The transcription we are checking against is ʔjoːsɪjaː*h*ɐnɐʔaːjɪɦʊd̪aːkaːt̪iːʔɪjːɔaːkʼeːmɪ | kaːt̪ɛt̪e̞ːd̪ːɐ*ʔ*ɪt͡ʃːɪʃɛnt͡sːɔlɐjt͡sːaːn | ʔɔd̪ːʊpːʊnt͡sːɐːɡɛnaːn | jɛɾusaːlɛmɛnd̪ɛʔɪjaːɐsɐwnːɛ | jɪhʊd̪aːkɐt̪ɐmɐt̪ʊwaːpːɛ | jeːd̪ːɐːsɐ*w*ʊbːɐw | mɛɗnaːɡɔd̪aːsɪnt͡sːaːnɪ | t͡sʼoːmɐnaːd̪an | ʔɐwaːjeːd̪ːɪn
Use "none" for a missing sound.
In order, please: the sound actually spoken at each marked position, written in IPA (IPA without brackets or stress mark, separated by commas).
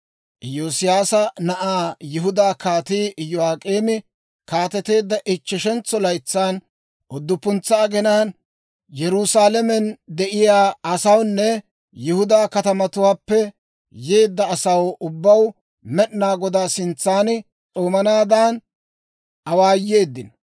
s, ʔ, w